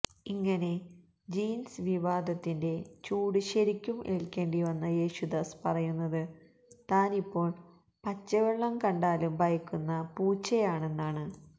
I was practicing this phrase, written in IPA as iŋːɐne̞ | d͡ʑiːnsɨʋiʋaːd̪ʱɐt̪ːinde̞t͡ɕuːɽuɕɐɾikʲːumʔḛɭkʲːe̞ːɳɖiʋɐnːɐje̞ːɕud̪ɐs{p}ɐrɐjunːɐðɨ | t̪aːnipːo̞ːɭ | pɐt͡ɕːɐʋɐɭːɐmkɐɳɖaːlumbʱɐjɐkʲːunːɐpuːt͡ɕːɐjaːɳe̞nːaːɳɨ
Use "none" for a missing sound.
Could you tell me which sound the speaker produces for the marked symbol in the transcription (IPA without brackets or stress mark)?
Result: p